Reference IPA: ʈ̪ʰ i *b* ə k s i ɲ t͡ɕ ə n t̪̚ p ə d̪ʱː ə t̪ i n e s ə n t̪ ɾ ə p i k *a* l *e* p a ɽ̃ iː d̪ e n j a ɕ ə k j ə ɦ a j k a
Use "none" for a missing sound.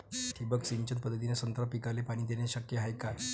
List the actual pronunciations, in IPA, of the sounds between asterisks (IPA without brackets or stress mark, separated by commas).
b, a, e